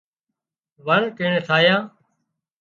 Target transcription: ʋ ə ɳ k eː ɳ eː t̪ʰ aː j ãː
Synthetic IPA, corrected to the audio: ʋ ə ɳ k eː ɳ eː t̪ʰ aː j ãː